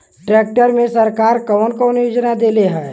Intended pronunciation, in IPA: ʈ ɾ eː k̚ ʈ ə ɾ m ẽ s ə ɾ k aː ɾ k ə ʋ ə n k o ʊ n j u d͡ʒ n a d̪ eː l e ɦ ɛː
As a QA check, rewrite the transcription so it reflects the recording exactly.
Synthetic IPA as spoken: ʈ ɾ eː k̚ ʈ ə ɾ m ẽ s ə ɾ k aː ɾ k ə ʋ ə n k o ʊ n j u d͡ʒ n a d̪ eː l e ɦ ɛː